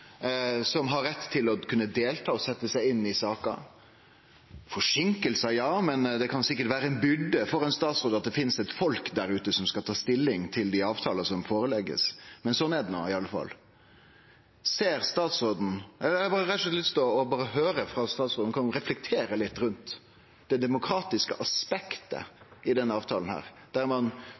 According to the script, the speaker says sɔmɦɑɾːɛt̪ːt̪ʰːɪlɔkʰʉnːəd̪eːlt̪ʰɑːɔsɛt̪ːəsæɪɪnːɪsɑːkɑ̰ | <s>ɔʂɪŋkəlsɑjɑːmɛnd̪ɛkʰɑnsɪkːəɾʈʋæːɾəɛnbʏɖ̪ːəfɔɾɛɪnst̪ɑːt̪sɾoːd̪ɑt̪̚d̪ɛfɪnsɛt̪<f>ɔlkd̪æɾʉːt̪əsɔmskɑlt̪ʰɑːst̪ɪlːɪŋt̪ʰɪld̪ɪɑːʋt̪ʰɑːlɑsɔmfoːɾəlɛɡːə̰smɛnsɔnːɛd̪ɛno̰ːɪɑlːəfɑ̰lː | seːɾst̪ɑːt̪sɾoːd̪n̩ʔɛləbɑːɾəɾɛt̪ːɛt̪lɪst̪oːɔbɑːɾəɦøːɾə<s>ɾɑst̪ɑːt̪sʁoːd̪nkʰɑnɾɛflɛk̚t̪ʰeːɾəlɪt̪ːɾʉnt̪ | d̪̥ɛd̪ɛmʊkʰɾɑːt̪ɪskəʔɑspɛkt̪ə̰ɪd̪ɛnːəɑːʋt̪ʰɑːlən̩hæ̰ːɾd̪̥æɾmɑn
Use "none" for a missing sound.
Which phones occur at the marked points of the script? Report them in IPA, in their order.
f, f, f

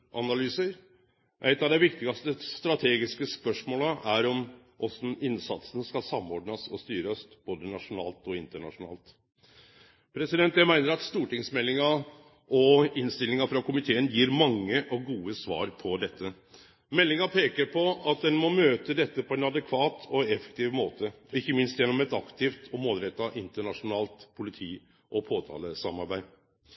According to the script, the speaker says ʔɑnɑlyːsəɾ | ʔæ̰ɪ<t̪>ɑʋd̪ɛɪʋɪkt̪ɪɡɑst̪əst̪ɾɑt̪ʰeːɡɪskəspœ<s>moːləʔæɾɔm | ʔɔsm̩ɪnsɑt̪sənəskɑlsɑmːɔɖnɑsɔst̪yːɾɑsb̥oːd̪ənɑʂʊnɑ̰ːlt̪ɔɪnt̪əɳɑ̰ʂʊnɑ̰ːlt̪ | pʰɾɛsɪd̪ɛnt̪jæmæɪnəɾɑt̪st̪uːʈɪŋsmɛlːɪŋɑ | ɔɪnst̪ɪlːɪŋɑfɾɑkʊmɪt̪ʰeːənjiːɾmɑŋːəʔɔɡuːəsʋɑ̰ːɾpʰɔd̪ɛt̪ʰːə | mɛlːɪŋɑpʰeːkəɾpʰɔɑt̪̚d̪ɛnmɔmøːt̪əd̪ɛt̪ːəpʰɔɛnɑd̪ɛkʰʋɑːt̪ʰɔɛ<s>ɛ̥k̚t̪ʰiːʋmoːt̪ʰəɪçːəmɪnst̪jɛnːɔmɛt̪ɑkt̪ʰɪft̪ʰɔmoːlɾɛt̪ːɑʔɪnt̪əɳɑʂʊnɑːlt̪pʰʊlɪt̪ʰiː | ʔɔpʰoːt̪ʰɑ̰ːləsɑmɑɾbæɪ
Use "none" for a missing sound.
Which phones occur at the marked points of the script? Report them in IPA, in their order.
t̪, ʂ, f

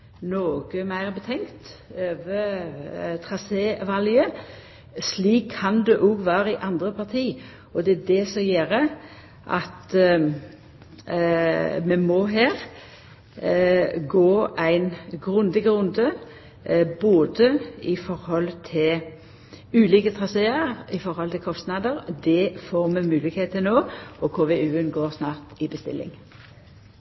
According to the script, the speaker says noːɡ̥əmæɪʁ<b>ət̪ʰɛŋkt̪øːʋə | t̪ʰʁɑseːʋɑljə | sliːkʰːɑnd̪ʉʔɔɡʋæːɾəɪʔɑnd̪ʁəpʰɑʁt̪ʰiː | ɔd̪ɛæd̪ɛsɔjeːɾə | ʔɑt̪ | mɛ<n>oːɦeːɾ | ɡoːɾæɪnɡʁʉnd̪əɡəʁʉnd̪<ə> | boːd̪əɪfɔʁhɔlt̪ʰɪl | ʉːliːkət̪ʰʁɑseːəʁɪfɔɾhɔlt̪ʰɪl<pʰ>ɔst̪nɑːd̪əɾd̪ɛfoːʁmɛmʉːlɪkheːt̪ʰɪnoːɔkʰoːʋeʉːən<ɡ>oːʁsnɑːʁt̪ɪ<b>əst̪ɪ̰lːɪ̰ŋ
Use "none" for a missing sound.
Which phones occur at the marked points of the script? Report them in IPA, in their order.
b, m, ə, kʰ, ɡ, b

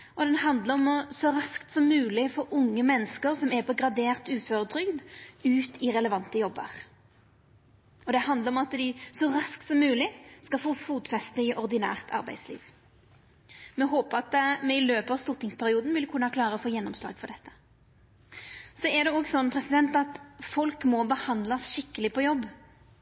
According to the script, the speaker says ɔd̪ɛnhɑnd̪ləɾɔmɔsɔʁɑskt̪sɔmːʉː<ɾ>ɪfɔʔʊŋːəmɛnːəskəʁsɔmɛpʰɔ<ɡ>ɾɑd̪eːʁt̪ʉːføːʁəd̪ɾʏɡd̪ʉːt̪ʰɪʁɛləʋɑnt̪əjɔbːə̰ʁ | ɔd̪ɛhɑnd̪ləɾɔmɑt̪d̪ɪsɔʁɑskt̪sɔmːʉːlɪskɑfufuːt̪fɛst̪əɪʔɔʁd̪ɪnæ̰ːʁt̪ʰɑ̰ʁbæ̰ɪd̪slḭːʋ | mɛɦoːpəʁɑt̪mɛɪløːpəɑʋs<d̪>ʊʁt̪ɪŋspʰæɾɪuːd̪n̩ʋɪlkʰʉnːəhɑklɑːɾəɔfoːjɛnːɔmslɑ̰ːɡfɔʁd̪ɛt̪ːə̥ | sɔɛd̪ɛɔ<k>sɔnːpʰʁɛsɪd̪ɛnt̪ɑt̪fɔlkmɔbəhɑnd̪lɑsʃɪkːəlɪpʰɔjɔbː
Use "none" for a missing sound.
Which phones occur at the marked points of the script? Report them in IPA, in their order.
l, ɡ, t̪, ɡ

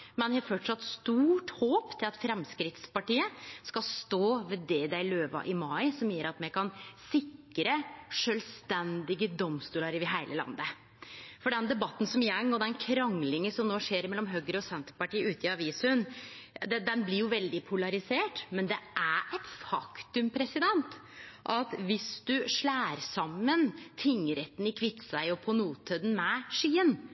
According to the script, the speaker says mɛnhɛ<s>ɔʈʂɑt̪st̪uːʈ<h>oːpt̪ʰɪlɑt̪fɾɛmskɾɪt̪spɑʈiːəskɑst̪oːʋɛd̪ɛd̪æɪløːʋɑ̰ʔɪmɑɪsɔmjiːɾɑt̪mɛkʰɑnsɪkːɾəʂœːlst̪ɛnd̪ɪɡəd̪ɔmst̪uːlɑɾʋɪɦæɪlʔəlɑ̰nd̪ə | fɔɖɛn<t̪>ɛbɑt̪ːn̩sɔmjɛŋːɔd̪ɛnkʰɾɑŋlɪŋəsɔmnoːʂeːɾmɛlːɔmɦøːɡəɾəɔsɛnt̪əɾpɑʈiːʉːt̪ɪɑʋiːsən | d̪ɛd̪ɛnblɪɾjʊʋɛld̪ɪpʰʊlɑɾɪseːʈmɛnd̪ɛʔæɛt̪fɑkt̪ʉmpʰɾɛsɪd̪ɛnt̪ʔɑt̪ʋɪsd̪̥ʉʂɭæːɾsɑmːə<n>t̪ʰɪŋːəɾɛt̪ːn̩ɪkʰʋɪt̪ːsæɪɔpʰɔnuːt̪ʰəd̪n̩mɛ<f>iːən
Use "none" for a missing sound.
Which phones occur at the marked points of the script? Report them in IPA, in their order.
f, h, d̪, n, ʂ

